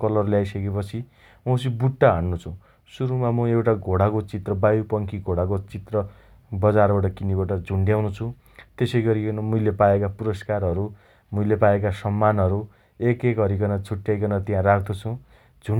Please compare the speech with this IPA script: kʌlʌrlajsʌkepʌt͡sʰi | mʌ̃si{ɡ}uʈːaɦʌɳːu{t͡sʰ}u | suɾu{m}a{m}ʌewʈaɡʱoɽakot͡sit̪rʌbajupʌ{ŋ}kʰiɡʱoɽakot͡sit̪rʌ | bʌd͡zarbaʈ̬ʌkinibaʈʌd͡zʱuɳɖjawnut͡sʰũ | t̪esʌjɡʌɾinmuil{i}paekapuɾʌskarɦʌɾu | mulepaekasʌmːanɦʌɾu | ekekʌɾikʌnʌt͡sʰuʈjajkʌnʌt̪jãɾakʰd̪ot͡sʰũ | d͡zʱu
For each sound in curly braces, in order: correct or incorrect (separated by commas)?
incorrect, correct, correct, correct, correct, incorrect